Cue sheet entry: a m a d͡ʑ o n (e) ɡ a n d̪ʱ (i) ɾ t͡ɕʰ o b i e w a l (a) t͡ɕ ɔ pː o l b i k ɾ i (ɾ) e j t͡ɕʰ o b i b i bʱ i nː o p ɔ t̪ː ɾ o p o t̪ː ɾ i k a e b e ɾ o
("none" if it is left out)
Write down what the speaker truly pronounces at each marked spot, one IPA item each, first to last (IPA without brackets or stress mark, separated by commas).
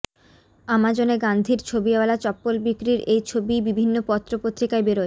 e, i, a, ɾ